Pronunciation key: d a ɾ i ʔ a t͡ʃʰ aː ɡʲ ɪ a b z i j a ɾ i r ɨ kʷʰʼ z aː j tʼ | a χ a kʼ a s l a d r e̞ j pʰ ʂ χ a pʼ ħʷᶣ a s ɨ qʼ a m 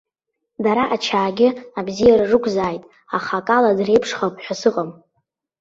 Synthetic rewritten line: d a ɾ a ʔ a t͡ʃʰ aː ɡʲ ɪ a b z i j a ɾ a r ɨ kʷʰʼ z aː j tʼ | a χ a kʼ a l a d r e̞ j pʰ ʂ χ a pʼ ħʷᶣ a s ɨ qʼ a m